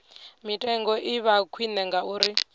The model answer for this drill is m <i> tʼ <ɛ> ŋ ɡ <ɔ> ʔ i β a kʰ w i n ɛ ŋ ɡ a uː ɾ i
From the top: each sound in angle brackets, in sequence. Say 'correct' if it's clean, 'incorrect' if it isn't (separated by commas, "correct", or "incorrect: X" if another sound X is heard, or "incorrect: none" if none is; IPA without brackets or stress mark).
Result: correct, correct, correct